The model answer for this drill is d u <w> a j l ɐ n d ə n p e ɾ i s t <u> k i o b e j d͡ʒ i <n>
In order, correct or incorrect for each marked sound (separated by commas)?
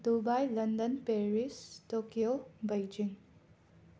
incorrect, incorrect, incorrect